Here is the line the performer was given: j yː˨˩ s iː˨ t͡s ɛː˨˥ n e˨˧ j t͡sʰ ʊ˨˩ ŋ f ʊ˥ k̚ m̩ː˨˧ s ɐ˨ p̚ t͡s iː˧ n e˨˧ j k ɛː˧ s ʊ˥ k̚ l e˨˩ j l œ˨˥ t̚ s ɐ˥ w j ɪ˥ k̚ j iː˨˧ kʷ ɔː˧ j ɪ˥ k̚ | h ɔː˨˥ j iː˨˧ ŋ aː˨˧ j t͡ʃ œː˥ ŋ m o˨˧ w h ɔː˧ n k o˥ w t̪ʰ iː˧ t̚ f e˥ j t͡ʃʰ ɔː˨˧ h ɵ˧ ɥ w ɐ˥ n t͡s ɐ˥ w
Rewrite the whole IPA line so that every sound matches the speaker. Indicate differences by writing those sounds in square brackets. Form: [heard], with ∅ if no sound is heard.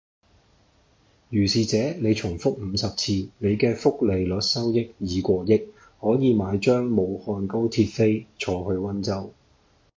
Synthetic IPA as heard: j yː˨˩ s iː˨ t͡s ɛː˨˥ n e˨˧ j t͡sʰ ʊ˨˩ ŋ f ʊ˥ k̚ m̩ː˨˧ s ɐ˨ p̚ [t͡sʰ] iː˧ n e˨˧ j k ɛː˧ [f] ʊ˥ k̚ l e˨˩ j l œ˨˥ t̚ s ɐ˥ w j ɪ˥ k̚ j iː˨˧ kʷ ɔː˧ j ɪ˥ k̚ | h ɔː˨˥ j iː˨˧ [m] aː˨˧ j t͡ʃ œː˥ ŋ m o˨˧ w h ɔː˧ n k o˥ w t̪ʰ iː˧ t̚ f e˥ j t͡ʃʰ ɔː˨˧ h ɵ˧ ɥ w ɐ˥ n t͡s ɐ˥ w